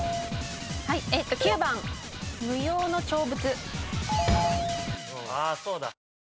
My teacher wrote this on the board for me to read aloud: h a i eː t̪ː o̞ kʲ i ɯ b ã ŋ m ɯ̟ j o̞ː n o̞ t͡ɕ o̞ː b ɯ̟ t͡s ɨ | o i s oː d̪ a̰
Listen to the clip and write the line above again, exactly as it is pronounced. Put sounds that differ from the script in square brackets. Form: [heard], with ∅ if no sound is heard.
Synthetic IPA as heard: h a i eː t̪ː o̞ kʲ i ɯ b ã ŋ m ɯ̟ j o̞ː n o̞ t͡ɕ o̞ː b ɯ̟ t͡s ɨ | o [a] s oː d̪ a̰

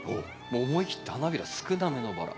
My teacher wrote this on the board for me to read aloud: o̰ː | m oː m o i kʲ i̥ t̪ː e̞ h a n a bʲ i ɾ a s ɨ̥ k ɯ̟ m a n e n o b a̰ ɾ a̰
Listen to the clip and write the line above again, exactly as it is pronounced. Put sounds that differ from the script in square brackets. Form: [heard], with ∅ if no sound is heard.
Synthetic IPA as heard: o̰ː | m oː m o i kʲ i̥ t̪ː e̞ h a n a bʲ i ɾ a s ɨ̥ k ɯ̟ [n] a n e n o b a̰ ɾ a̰

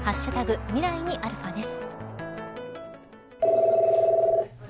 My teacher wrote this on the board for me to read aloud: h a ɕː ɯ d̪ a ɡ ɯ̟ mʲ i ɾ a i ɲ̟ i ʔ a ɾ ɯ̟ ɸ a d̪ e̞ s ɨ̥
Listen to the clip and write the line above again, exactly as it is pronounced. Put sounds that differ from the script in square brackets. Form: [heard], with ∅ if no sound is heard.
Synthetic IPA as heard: h a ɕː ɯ [t̪] a ɡ ɯ̟ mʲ i ɾ a i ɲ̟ i ʔ a ɾ ɯ̟ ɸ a d̪ e̞ s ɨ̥

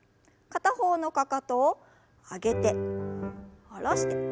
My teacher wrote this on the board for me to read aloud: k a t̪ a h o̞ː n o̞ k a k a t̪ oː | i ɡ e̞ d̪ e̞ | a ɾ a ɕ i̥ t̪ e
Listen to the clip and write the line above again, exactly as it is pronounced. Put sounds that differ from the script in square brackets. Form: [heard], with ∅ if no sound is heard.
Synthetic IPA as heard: k a t̪ a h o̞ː n o̞ k a k a t̪ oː | [a] ɡ e̞ [t̪] e̞ | a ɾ a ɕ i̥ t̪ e

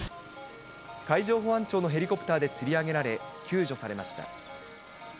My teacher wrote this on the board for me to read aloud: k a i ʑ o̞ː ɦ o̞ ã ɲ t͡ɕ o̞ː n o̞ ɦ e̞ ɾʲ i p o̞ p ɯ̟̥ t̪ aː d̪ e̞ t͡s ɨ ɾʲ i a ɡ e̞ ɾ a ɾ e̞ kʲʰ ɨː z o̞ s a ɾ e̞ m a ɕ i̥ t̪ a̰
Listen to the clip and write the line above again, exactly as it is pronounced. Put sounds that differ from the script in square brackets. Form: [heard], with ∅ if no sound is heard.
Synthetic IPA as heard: k a i ʑ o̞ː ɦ o̞ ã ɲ t͡ɕ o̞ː n o̞ ɦ e̞ ɾʲ i [k] o̞ p ɯ̟̥ t̪ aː d̪ e̞ t͡s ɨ ɾʲ i a ɡ e̞ ɾ a ɾ e̞ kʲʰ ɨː [ʑ] o̞ s a ɾ e̞ m a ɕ i̥ t̪ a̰

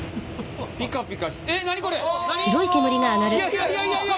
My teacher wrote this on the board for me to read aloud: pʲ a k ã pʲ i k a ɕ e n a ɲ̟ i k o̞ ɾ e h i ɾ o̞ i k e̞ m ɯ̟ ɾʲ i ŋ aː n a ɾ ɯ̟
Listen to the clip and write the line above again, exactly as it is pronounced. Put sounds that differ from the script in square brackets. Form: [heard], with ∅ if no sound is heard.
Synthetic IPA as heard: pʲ [i] k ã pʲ i k a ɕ e n a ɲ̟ i k o̞ ɾ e [ɕ] i ɾ o̞ i k e̞ m ɯ̟ ɾʲ i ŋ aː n a ɾ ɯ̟

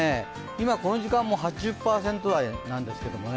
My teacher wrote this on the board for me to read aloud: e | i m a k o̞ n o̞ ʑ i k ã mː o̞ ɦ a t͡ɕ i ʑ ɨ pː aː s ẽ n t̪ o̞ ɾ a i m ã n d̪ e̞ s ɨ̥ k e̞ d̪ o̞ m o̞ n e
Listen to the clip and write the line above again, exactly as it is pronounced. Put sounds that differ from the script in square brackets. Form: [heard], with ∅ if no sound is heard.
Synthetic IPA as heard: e | i m a k o̞ n o̞ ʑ i k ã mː o̞ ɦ a t͡ɕ i ʑ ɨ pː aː s ẽ n t̪ o̞ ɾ a i [n] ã n d̪ e̞ s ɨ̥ k e̞ d̪ o̞ m o̞ n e

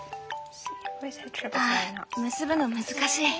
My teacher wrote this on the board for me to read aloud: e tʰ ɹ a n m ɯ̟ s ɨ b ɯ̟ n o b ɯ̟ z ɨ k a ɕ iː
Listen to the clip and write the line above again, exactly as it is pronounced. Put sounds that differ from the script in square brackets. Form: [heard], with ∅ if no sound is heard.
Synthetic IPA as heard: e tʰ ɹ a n m ɯ̟ s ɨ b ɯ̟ n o [m] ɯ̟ z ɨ k a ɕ iː

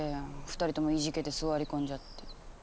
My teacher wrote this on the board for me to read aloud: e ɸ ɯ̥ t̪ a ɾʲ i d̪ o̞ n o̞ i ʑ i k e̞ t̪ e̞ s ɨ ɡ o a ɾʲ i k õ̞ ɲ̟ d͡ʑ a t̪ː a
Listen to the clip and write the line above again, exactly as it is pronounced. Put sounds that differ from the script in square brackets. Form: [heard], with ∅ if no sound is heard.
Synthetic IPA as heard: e ɸ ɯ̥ t̪ a ɾʲ i [t̪] o̞ [m] o̞ i ʑ i k e̞ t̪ e̞ s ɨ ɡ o a ɾʲ i k õ̞ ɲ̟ d͡ʑ a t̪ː [e]

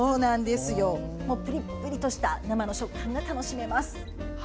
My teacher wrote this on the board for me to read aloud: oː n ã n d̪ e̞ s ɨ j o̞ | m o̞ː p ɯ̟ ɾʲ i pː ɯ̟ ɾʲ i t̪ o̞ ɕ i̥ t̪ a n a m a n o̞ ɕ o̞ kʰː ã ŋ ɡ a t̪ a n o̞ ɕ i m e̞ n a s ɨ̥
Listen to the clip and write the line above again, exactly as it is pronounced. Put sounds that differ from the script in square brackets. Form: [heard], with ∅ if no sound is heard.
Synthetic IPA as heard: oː n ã n d̪ e̞ s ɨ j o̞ | m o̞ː p ɯ̟ ɾʲ i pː ɯ̟ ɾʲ i t̪ o̞ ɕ i̥ t̪ a n a m a n o̞ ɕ o̞ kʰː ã ŋ ɡ a t̪ a n o̞ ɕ i m e̞ [m] a s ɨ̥

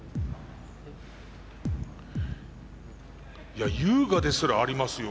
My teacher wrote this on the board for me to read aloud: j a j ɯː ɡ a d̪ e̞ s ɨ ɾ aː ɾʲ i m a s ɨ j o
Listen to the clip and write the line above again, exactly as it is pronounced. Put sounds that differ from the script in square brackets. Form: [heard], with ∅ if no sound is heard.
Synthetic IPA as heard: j a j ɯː ɡ a d̪ e̞ s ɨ ɾ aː ɾʲ i m a s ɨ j o

